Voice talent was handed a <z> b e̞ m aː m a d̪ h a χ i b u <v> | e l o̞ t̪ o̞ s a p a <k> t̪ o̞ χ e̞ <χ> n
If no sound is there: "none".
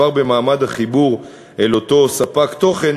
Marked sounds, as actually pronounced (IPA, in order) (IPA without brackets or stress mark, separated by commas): ʁ, ʁ, k, none